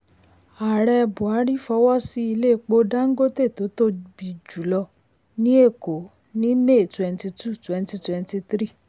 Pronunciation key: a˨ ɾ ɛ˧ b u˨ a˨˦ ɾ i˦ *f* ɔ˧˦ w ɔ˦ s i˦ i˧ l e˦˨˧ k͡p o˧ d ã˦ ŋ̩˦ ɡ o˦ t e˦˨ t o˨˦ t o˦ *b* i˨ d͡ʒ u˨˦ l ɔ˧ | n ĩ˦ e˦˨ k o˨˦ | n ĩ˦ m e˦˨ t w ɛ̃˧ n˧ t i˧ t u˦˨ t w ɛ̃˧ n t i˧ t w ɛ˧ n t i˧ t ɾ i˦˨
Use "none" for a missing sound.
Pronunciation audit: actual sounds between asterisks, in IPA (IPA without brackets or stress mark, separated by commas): f, b